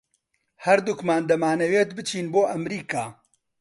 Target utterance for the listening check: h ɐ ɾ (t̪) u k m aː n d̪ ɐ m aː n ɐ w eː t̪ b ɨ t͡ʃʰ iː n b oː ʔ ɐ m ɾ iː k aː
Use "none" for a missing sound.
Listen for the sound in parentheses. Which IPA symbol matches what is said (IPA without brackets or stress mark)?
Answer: d̪